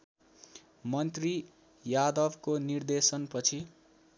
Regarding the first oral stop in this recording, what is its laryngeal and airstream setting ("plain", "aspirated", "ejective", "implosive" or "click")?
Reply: plain